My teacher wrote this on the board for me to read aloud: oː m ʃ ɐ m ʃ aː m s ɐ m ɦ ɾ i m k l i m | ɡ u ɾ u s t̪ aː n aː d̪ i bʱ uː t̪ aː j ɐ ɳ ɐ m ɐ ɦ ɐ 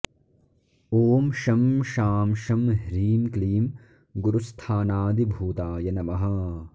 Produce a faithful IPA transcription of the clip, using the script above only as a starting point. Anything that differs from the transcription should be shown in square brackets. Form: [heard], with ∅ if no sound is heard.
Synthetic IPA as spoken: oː m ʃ ɐ m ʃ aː m [ʃ] ɐ m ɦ ɾ [iː] m k l [iː] m | ɡ u ɾ u s [t̪ʰ] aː n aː d̪ i bʱ uː t̪ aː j ɐ [n] ɐ m ɐ ɦ ɐ